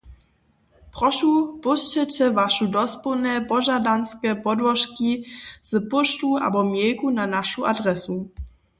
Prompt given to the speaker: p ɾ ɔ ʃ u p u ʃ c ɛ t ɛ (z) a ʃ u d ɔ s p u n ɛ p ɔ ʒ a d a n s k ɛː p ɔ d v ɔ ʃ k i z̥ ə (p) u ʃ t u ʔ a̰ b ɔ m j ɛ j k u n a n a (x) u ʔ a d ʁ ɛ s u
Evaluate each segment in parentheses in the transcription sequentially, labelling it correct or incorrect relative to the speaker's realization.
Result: incorrect, correct, incorrect

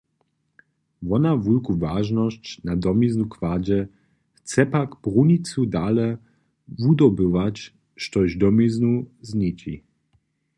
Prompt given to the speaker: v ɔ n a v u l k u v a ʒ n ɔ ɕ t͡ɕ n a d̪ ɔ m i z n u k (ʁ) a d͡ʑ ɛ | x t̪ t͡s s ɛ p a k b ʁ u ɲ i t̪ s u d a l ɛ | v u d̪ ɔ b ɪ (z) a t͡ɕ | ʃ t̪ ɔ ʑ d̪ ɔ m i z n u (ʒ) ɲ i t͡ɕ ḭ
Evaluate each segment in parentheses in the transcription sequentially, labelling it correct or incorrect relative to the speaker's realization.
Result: incorrect, incorrect, incorrect

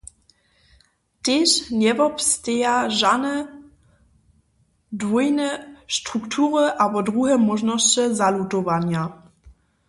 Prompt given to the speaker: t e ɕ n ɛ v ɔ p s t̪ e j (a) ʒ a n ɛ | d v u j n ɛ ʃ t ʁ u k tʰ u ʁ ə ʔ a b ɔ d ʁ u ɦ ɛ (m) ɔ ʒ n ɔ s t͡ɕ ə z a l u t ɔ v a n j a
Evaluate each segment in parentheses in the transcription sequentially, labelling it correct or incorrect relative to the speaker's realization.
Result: correct, correct

